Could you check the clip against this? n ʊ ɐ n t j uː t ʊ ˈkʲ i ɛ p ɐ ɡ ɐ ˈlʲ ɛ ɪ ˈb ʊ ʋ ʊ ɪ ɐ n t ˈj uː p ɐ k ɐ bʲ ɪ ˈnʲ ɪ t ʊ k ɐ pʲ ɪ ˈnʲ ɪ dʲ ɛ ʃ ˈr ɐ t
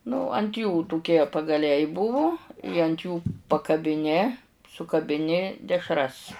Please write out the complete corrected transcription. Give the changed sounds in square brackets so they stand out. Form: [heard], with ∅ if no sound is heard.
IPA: n ʊ ɐ n t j uː t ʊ ˈkʲ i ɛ p ɐ ɡ ɐ ˈlʲ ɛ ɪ ˈb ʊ ʋ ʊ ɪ ɐ n t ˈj uː p ɐ k ɐ bʲ ɪ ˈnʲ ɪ [s] ʊ k ɐ [bʲ] ɪ ˈnʲ ɪ dʲ ɛ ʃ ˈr ɐ [s]